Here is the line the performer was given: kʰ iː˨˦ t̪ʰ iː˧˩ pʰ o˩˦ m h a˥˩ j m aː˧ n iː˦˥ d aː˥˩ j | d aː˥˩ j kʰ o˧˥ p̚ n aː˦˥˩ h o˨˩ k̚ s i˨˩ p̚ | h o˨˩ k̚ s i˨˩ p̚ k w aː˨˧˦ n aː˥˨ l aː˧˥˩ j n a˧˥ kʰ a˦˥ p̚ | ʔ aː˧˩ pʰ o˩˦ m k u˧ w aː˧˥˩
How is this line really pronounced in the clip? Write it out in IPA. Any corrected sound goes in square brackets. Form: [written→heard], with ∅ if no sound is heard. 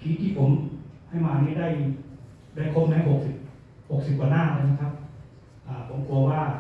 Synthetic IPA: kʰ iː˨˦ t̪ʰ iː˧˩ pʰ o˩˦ m h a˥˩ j m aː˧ n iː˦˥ d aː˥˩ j | d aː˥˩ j kʰ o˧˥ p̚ n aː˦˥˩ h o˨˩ k̚ s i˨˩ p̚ | h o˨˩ k̚ s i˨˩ p̚ k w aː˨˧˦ n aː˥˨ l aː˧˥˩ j n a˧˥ kʰ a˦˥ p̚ | ʔ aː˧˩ pʰ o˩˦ m k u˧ w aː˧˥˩